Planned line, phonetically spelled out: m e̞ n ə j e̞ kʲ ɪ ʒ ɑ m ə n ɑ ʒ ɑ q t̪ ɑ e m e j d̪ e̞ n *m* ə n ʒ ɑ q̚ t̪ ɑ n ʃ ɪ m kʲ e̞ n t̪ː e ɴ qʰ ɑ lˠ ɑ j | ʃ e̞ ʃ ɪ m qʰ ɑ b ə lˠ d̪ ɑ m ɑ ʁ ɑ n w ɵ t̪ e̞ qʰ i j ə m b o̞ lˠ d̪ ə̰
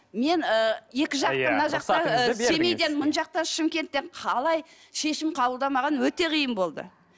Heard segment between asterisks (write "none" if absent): m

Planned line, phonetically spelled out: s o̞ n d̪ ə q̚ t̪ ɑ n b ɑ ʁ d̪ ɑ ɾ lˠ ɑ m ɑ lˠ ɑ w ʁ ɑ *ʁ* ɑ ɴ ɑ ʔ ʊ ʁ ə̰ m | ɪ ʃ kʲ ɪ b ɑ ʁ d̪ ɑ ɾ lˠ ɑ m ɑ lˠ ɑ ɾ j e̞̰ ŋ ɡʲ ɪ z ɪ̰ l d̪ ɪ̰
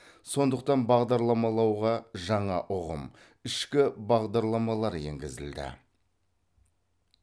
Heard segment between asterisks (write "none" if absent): ʒ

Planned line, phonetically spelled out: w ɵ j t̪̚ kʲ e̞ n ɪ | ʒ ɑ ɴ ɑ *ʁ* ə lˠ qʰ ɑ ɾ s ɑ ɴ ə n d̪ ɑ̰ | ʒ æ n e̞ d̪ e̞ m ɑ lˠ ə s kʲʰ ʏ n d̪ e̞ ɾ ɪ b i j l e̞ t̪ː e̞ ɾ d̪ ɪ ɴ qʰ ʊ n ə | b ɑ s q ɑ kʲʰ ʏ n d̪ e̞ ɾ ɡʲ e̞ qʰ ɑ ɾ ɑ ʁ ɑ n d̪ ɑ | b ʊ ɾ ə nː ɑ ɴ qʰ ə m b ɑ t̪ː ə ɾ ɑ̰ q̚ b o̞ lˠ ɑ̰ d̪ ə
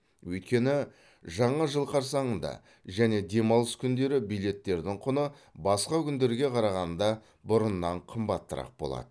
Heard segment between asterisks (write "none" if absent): ʒ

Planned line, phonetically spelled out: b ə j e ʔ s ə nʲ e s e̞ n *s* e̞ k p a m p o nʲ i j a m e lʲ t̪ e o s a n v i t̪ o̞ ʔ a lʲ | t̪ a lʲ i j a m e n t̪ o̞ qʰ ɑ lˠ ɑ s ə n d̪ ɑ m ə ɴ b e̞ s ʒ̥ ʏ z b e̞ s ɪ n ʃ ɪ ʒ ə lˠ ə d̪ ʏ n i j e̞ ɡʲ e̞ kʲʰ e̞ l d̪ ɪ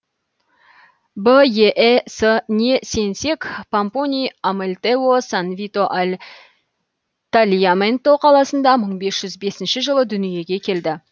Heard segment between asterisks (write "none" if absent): s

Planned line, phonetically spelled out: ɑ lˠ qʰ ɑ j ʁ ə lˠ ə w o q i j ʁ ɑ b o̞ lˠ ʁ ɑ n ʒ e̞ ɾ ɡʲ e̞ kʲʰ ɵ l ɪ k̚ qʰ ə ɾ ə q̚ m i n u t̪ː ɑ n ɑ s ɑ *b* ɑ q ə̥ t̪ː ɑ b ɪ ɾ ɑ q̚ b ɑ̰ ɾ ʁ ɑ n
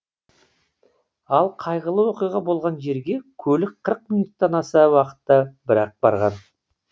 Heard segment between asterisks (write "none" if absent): w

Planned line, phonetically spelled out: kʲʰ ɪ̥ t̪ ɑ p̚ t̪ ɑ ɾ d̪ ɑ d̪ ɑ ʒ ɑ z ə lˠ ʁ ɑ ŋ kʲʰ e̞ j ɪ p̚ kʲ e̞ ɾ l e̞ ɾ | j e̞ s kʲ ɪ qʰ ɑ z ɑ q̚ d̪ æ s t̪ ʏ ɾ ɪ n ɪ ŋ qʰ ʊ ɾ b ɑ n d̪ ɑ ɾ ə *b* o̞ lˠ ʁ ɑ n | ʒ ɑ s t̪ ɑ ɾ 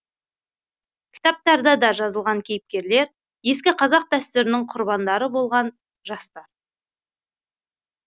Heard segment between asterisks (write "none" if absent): b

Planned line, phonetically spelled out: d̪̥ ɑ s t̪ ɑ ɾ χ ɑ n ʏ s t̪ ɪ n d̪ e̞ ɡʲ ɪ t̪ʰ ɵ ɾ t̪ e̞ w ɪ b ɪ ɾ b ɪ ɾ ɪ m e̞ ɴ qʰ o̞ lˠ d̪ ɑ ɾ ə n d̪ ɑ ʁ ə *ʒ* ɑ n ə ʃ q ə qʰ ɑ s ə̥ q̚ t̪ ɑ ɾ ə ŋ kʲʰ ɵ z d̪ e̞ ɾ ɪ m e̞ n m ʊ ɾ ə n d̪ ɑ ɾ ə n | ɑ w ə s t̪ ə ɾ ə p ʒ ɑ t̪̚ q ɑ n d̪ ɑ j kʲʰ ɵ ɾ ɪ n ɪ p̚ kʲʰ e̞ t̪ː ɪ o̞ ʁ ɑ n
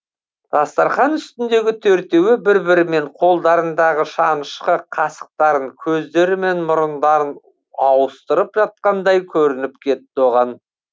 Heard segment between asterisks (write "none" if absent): ʃ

